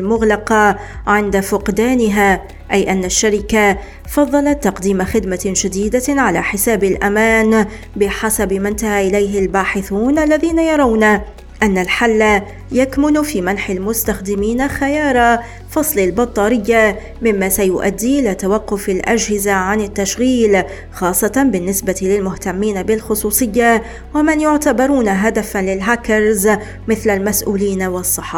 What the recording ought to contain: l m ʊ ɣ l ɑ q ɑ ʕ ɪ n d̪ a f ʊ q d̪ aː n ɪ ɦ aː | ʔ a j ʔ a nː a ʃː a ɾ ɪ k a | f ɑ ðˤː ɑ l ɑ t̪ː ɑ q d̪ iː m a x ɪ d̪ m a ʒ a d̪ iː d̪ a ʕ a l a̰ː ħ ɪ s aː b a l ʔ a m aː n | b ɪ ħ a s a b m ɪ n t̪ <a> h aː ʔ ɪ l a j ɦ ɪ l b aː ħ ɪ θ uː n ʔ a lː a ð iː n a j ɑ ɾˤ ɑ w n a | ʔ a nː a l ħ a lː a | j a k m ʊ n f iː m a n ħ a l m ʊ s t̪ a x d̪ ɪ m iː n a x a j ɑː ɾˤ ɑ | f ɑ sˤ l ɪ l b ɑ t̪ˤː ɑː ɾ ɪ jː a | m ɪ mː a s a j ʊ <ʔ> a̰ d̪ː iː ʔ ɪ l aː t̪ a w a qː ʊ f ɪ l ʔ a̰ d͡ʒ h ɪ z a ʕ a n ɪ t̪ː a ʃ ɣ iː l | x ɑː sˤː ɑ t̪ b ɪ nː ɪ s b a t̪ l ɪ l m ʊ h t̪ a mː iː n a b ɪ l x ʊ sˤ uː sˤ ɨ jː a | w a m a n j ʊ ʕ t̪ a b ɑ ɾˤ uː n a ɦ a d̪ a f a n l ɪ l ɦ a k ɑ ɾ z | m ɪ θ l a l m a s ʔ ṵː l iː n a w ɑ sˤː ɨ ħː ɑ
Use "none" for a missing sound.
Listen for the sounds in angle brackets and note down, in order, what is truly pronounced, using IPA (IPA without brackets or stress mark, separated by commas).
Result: a, ʔ